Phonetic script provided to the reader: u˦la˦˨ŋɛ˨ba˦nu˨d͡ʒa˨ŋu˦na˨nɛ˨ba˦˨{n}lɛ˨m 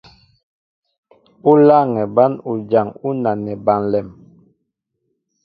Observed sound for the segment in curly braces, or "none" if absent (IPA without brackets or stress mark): n